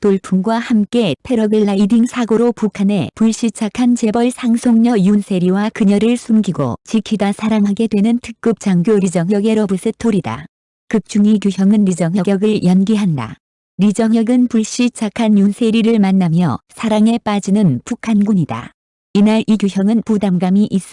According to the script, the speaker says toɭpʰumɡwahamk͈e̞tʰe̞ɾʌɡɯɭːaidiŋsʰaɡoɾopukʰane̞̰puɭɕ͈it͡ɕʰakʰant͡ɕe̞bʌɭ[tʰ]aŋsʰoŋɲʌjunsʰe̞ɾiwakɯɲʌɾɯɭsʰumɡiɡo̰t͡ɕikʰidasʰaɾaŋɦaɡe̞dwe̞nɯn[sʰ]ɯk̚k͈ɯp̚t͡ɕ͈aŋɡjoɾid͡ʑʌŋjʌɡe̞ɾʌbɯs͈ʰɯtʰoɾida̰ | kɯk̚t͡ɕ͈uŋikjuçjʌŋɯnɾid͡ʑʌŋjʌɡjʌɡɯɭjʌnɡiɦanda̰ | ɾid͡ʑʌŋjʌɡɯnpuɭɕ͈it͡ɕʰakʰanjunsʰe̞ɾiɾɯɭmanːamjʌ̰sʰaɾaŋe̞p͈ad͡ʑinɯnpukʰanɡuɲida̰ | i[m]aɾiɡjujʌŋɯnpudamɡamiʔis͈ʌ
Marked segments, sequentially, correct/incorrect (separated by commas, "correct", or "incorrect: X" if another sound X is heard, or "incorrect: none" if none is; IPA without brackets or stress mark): incorrect: sʰ, incorrect: tʰ, incorrect: n